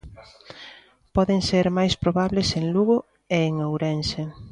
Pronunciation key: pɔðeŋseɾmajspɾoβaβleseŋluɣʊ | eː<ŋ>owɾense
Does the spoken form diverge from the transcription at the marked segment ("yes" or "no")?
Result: no